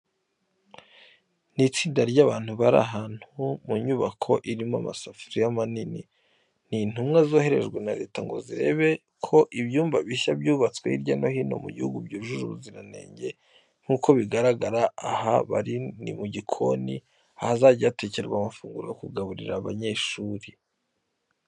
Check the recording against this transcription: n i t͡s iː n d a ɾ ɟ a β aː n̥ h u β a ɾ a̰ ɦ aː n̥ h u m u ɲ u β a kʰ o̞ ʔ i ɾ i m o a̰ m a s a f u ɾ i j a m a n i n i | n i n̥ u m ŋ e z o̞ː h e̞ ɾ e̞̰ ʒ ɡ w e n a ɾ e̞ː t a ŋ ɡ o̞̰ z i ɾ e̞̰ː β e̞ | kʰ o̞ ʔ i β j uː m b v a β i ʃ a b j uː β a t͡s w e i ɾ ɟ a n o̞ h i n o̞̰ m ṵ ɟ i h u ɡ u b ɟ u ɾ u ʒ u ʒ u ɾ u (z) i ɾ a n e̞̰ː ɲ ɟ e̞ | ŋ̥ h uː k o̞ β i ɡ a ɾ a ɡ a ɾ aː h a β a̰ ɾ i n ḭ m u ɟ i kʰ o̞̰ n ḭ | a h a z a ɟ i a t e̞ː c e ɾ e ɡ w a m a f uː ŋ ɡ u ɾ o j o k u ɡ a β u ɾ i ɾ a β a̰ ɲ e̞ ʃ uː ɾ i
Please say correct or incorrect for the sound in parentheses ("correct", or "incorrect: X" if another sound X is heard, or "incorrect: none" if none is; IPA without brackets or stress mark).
correct